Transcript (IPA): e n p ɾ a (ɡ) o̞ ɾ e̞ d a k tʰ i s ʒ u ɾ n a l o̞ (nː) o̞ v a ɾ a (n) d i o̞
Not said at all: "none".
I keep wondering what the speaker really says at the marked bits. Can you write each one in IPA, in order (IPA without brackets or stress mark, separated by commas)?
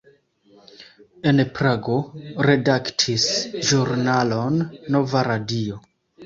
ɡ, nː, none